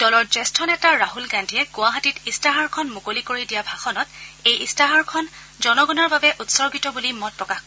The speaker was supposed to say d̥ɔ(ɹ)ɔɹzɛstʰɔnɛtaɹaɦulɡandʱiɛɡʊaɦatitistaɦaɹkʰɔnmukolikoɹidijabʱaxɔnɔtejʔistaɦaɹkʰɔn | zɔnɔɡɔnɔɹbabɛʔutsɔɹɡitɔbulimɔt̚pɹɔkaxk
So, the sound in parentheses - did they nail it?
no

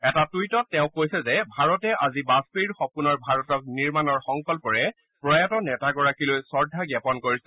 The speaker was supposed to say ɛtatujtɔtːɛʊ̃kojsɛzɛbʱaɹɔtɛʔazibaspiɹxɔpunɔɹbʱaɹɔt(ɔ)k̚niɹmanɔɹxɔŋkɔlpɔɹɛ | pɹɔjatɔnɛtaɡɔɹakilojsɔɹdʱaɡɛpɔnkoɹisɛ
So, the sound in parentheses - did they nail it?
yes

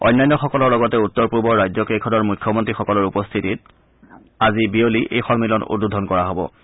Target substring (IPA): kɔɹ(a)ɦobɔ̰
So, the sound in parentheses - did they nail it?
yes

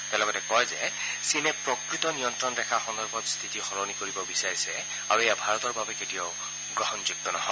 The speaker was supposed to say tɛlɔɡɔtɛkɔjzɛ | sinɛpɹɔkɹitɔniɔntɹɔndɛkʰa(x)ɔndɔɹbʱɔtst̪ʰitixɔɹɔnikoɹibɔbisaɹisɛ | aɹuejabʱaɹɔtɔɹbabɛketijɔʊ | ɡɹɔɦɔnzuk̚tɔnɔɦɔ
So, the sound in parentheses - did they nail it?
yes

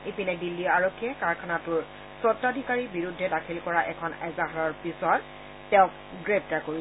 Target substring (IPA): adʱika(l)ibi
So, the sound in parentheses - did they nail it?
no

